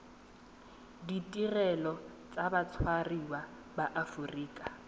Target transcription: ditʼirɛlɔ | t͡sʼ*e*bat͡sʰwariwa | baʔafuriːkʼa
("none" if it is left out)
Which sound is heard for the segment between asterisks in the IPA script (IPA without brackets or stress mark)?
a